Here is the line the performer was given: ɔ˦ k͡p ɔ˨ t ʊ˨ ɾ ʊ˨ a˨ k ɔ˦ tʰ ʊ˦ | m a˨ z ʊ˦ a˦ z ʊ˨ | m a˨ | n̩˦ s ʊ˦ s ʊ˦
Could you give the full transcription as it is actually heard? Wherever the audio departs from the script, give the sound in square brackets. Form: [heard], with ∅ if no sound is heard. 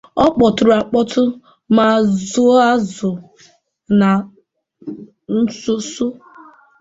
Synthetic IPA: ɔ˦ k͡p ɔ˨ t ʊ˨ ɾ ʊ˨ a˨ [k͡p] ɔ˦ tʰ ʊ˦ | m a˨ z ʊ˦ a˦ z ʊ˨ | [n] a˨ | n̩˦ s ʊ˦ s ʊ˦